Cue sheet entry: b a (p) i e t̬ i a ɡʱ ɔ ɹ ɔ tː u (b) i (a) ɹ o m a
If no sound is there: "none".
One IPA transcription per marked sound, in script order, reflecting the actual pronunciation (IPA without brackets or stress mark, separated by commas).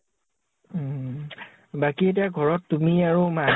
k, m, a